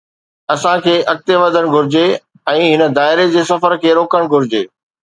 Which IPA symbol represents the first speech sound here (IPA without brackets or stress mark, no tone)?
ɐ